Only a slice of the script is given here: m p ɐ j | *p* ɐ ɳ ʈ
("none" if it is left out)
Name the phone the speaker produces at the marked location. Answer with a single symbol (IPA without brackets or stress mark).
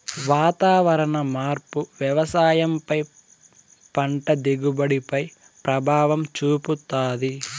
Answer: p